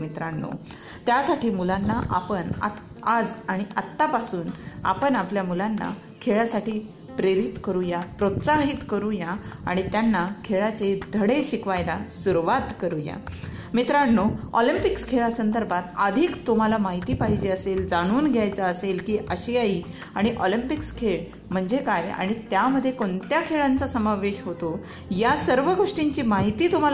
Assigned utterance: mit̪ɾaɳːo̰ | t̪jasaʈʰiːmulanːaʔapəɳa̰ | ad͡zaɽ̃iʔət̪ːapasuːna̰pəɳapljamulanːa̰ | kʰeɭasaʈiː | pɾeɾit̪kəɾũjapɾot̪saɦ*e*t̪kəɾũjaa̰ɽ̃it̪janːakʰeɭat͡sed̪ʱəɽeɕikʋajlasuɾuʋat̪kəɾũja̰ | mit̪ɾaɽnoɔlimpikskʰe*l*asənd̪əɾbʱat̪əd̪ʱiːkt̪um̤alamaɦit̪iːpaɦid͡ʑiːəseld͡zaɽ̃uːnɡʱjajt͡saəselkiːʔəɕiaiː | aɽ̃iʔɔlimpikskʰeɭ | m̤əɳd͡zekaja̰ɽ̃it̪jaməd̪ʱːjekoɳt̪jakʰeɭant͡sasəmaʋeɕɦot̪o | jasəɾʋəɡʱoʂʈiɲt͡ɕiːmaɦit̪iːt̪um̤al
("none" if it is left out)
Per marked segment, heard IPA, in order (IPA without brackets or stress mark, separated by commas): i, ɭ